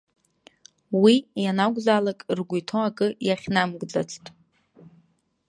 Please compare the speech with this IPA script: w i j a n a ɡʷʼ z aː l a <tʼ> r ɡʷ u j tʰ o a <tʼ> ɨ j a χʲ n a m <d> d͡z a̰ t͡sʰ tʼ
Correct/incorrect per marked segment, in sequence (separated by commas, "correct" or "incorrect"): incorrect, incorrect, incorrect